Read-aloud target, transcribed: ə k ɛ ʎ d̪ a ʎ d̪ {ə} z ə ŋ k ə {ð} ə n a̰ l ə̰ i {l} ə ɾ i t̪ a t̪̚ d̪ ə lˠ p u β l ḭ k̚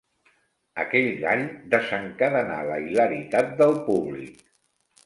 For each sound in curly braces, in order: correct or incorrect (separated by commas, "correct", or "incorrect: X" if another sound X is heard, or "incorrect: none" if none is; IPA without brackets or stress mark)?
correct, correct, correct